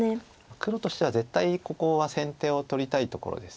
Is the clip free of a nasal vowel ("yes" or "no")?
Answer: no